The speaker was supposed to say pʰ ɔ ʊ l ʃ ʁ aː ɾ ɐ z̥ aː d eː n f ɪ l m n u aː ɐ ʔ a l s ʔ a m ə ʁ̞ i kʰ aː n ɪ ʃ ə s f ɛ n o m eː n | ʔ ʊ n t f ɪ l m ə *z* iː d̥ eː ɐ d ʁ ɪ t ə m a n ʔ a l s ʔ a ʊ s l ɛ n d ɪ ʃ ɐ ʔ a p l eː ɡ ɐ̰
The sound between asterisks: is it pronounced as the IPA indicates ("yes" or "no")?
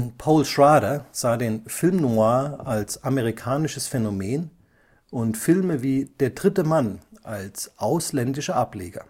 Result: no